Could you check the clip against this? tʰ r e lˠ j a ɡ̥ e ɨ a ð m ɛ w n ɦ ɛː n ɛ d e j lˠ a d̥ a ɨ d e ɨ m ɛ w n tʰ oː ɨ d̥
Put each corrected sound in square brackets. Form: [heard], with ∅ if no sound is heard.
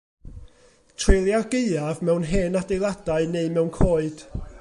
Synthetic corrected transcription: tʰ r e lˠ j a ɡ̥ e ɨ a [v] m ɛ w n ɦ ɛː n [a] d e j lˠ a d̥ a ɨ [n] e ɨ m ɛ w n [kʰ] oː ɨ d̥